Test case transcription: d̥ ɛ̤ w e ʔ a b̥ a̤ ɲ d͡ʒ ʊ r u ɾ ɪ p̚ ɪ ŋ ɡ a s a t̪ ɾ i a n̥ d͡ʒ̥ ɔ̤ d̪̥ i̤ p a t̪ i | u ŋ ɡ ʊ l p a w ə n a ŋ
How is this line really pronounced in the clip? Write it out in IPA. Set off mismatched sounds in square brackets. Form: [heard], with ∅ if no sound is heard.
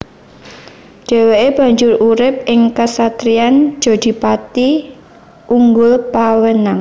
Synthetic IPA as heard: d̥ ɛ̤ w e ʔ [e] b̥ a̤ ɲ d͡ʒ ʊ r u ɾ ɪ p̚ ɪ ŋ [k] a s a t̪ ɾ i a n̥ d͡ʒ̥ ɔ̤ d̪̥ i̤ p a t̪ i | u ŋ ɡ ʊ l p a w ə n a ŋ